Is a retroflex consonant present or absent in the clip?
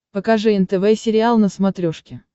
present